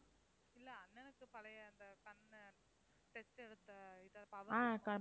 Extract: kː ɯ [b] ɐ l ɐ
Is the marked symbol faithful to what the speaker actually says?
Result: no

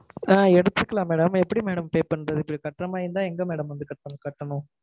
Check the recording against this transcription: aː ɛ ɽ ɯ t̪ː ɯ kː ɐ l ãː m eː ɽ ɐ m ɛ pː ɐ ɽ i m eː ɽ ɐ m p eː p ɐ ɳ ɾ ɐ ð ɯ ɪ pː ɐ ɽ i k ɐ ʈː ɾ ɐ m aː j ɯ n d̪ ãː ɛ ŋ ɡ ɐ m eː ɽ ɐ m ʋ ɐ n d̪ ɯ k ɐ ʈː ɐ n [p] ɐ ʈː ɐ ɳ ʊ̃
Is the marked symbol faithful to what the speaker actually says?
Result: no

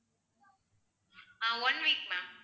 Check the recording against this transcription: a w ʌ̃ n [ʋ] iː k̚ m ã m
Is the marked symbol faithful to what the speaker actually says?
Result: no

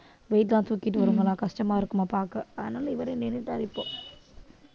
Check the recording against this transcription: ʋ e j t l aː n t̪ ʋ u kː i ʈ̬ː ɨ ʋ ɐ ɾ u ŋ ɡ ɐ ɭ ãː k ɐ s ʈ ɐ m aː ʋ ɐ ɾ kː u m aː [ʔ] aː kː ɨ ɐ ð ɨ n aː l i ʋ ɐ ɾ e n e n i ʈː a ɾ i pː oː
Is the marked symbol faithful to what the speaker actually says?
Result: no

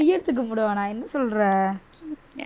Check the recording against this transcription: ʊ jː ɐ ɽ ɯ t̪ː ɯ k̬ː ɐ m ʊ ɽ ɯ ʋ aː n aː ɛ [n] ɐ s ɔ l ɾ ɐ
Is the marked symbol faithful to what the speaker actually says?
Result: no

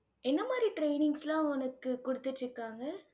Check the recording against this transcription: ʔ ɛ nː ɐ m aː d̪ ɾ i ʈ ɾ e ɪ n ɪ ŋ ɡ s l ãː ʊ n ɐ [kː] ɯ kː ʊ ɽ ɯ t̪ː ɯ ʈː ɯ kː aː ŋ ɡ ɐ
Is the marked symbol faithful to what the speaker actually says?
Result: yes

